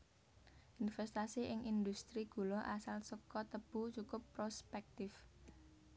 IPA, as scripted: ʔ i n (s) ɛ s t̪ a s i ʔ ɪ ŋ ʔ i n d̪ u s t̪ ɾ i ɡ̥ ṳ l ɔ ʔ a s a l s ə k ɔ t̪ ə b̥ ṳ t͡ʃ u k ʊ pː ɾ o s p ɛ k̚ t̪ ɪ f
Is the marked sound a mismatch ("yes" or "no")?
yes